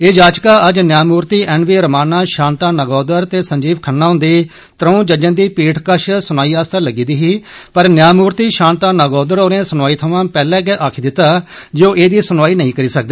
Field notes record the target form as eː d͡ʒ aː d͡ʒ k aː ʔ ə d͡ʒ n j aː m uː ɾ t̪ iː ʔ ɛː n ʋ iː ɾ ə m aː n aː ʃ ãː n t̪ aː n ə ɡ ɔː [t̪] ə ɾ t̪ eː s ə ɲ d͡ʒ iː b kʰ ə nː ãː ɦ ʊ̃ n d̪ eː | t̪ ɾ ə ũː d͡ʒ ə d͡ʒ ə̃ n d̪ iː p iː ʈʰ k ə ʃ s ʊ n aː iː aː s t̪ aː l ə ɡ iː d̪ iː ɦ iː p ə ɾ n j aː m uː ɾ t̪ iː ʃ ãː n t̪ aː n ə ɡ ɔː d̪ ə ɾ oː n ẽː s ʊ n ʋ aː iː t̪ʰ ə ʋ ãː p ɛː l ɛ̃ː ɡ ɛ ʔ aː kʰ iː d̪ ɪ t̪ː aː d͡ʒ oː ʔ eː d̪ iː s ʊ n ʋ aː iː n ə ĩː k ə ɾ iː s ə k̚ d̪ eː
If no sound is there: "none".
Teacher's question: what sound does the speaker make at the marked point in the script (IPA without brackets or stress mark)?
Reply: d̪